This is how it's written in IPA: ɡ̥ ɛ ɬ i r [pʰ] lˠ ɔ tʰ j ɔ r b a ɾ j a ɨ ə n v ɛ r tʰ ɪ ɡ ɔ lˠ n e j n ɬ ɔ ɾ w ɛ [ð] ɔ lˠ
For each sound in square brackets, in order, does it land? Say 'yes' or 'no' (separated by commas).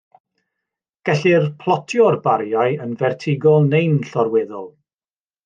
yes, yes